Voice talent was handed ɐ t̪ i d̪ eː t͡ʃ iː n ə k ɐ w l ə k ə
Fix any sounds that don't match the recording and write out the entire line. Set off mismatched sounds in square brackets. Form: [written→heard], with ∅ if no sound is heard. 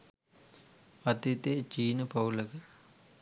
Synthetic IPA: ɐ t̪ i [d̪→t̪] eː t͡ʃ iː n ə [k→p] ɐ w l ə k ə